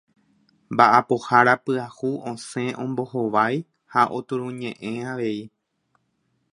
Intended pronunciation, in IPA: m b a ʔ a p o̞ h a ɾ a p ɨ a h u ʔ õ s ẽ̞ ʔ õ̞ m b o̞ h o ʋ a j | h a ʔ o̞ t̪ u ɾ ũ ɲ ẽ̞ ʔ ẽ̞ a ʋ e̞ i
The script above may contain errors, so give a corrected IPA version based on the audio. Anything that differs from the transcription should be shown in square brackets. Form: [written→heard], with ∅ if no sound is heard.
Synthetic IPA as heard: m b a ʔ a p o̞ h a ɾ a p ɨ a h u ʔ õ s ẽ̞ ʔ õ̞ m b o̞ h o ʋ a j | h a ʔ o̞ t̪ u ɾ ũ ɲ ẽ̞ ʔ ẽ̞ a ʋ e̞ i